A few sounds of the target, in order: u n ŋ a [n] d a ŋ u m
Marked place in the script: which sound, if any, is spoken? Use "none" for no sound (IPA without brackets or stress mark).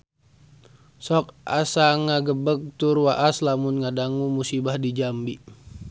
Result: none